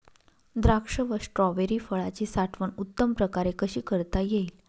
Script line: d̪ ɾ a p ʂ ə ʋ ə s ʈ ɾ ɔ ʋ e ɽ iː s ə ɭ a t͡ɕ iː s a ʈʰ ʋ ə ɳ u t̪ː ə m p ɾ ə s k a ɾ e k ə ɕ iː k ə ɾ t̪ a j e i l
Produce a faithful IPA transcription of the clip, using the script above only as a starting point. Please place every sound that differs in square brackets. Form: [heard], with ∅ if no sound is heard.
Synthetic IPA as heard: d̪ ɾ a [k] ʂ ə ʋ ə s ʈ ɾ ɔ ʋ e [ɾ] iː [f] ə ɭ a t͡ɕ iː s a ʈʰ ʋ ə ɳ u t̪ː ə m p ɾ ə [∅] k a ɾ e k ə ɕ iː k ə ɾ t̪ a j e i l